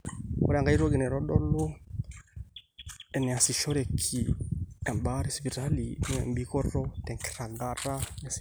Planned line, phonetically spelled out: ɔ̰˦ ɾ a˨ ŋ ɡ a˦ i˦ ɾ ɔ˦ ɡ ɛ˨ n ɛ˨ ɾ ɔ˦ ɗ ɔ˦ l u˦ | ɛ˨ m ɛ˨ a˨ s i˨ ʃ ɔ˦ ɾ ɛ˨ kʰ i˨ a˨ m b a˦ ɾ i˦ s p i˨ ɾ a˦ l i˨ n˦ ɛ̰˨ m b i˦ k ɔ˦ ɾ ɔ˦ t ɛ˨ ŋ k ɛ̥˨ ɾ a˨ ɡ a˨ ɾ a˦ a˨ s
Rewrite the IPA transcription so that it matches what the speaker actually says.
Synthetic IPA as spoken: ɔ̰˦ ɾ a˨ ŋ ɡ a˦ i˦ ɾ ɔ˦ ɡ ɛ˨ n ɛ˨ ɾ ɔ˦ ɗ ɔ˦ l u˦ | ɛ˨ n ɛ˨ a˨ s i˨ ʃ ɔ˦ ɾ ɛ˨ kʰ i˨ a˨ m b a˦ ɾ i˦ s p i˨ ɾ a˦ l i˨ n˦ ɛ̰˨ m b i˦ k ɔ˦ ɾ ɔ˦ t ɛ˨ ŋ k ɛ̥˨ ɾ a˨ ɡ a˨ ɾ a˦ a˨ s